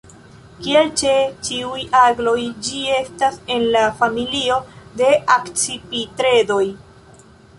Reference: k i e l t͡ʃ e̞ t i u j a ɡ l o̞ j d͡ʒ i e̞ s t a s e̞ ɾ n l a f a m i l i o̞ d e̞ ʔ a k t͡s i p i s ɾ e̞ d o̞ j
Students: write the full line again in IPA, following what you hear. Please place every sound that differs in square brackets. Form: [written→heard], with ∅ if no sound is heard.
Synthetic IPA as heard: k i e l t͡ʃ e̞ [t→t͡ʃ] i u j a ɡ l o̞ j d͡ʒ i e̞ s t a s e̞ [ɾ→∅] n l a f a m i l i o̞ d e̞ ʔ a k t͡s i p i [s→t] ɾ e̞ d o̞ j